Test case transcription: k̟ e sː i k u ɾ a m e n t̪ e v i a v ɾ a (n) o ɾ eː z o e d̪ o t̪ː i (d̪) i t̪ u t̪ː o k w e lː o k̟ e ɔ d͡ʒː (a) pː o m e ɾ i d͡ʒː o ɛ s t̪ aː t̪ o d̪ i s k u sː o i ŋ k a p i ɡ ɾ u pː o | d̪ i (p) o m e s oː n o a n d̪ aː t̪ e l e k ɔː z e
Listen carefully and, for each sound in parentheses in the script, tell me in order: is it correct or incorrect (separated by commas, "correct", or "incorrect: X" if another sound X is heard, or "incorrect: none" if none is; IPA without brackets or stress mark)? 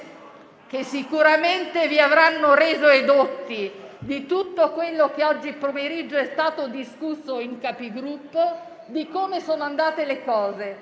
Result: incorrect: nː, correct, incorrect: i, incorrect: k